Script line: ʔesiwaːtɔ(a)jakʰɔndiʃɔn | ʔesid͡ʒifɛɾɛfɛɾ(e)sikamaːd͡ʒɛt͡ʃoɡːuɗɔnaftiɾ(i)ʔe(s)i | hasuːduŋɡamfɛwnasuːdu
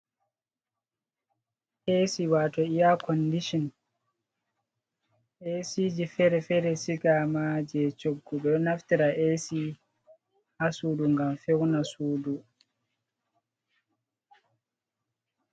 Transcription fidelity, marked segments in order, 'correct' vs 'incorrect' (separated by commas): incorrect, incorrect, incorrect, correct